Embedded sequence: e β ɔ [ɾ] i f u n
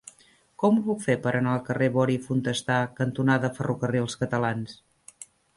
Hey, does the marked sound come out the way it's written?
yes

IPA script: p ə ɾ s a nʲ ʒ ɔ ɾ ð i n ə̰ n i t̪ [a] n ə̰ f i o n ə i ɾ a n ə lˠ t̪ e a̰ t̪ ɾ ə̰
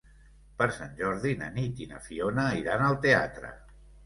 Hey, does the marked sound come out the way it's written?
no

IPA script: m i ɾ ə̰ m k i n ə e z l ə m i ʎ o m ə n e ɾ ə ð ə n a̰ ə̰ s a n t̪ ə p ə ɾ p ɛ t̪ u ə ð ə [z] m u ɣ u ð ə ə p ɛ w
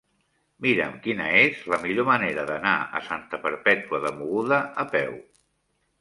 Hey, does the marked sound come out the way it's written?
no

